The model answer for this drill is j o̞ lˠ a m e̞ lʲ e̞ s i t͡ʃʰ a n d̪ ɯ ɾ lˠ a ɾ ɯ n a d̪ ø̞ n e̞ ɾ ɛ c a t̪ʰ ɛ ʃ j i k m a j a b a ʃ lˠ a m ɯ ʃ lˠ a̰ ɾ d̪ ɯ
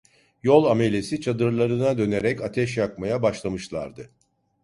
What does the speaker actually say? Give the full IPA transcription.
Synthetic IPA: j o̞ lˠ a m e̞ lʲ e̞ s i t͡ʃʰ a d̪ ɯ ɾ lˠ a ɾ ɯ n a d̪ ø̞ n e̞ ɾ ɛ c a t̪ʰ ɛ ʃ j a k m a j a b a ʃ lˠ a m ɯ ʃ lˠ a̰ ɾ d̪ ɯ